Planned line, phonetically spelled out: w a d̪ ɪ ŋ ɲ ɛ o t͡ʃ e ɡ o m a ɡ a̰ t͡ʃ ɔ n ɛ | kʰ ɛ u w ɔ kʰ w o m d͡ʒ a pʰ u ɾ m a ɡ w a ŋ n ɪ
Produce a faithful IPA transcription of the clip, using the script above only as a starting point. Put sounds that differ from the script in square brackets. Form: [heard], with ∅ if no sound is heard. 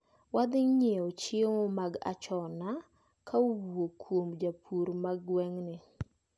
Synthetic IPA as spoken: w a d̪ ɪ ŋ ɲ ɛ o t͡ʃ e [ŋ] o m a ɡ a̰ t͡ʃ ɔ n [a] | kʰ [a] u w [o] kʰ w o m d͡ʒ a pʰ u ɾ m a ɡ w [ɛ] ŋ n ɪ